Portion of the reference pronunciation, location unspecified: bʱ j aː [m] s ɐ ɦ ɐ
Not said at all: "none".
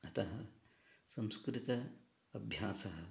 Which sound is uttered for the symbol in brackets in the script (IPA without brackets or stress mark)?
none